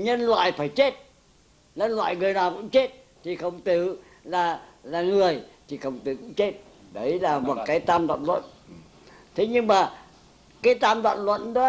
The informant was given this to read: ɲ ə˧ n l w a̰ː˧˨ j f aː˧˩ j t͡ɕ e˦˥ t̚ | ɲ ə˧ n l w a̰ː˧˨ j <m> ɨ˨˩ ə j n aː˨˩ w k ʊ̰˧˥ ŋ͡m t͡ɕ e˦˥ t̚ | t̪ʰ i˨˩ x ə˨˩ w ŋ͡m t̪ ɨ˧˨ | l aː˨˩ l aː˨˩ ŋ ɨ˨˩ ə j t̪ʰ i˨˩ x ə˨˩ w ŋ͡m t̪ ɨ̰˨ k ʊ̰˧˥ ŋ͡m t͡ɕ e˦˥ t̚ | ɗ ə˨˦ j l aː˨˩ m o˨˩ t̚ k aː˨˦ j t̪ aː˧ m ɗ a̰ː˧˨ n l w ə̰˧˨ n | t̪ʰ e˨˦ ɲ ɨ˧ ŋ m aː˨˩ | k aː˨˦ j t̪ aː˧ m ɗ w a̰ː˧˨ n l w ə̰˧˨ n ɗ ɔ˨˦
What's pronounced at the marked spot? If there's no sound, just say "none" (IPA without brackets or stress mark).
ŋ